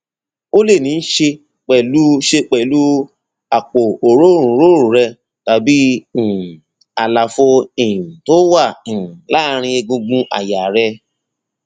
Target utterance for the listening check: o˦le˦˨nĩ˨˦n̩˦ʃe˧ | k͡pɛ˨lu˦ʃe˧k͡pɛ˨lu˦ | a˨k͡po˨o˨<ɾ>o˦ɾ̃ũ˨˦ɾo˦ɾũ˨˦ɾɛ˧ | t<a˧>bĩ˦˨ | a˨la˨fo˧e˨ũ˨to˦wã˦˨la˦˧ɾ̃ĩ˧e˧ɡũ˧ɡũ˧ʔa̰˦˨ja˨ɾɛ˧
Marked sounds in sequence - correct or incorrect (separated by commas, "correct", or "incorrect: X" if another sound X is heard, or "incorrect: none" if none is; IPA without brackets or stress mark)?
correct, correct